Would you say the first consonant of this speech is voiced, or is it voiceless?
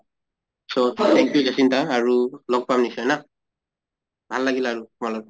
voiceless